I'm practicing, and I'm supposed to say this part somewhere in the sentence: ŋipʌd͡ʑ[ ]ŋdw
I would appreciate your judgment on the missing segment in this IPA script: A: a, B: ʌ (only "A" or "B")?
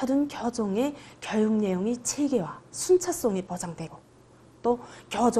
A